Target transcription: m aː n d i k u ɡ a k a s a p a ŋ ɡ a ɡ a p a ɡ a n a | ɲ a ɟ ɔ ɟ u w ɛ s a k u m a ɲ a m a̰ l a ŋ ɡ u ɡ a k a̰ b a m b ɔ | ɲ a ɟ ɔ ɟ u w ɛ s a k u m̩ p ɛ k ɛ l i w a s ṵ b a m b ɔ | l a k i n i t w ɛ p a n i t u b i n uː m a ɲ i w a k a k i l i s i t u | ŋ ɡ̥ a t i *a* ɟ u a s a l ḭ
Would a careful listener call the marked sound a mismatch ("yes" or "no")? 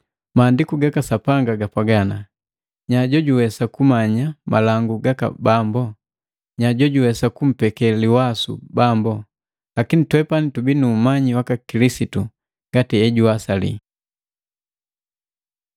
yes